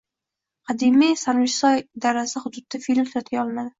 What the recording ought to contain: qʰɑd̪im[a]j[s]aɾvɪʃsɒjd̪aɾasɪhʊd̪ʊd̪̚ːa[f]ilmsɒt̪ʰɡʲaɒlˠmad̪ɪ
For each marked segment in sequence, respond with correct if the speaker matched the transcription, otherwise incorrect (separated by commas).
incorrect, correct, correct